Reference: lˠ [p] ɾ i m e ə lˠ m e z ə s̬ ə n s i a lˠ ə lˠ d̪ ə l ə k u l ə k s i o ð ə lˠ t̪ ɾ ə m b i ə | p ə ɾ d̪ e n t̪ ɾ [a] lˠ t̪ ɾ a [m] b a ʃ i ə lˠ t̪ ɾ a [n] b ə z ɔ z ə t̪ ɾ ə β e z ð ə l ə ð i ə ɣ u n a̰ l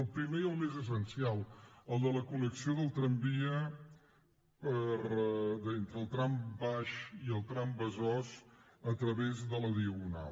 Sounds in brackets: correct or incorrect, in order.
correct, incorrect: ə, correct, incorrect: m

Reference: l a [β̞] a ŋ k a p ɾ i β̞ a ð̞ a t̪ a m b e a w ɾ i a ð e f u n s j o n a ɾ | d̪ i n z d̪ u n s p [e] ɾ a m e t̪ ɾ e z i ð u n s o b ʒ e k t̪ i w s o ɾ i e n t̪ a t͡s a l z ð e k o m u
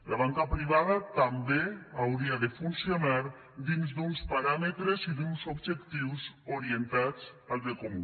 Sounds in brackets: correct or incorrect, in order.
correct, incorrect: a

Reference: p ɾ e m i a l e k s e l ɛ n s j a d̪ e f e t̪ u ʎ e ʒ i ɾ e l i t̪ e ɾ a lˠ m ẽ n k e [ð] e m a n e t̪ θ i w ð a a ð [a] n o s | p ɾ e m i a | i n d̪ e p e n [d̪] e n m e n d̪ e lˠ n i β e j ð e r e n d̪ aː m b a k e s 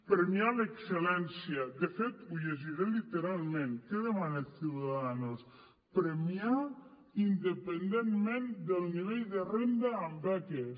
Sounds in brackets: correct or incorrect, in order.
correct, correct, correct

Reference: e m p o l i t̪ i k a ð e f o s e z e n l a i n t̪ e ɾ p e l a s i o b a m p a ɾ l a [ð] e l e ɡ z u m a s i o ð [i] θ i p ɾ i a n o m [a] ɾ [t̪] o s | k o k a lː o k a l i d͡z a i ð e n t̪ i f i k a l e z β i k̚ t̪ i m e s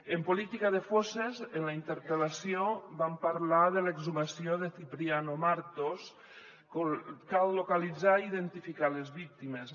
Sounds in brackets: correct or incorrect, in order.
correct, incorrect: e, correct, correct

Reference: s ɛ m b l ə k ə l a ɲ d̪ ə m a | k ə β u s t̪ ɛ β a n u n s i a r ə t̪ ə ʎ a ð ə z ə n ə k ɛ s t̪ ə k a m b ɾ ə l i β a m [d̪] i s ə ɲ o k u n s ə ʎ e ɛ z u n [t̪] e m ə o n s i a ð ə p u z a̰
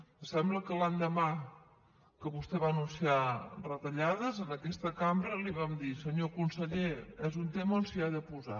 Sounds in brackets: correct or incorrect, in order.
correct, correct

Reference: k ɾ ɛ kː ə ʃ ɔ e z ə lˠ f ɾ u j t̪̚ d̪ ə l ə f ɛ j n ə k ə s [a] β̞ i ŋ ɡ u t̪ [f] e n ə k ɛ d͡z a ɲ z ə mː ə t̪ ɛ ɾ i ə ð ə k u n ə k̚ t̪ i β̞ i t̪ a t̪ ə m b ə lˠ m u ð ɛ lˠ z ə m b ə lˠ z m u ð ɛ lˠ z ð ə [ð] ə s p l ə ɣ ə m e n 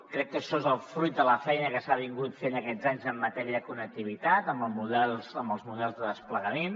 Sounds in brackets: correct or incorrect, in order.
correct, correct, correct

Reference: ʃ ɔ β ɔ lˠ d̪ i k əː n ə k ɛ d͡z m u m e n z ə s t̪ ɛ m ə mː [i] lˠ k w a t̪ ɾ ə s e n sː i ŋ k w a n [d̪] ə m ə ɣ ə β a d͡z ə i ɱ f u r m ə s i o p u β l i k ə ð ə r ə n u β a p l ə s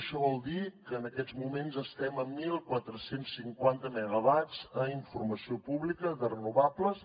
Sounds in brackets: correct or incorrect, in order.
correct, incorrect: t̪

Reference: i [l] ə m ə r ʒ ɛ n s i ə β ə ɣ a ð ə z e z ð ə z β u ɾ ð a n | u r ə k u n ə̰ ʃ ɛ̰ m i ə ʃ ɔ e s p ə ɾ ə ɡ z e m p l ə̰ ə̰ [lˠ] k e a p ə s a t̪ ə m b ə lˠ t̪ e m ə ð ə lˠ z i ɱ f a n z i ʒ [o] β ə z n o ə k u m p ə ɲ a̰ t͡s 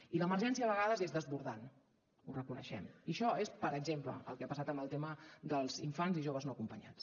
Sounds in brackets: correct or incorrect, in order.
correct, correct, correct

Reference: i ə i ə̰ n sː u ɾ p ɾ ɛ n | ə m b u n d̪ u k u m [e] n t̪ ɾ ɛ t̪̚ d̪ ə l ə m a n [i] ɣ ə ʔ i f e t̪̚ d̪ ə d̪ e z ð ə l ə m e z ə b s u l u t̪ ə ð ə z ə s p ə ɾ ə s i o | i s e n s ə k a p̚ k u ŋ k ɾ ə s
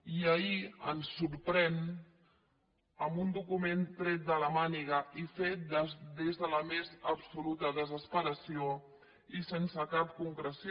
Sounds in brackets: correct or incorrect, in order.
correct, correct

